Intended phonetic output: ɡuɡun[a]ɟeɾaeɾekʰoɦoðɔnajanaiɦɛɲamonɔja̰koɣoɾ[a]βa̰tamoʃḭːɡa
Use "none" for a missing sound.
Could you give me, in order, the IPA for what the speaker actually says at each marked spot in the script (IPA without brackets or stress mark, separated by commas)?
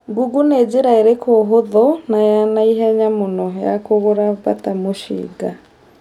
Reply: e, a